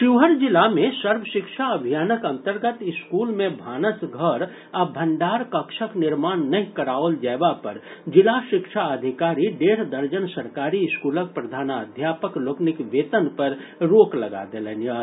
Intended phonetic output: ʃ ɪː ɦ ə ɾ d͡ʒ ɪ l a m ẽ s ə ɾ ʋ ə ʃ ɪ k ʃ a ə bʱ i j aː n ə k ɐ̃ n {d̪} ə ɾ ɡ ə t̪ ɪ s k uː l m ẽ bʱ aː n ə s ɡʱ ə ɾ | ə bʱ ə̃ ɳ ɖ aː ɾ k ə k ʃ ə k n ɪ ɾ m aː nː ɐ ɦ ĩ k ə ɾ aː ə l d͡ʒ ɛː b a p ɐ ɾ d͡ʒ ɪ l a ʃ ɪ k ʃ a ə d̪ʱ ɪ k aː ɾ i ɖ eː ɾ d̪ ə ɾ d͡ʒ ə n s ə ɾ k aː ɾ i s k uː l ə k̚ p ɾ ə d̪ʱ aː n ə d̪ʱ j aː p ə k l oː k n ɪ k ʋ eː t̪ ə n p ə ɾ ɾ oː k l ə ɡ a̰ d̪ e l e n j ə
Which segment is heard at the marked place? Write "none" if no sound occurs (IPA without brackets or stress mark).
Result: t̪